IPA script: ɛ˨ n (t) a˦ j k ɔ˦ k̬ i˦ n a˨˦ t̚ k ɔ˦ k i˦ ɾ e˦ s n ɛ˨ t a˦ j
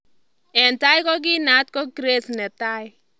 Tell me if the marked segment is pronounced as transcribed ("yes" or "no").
yes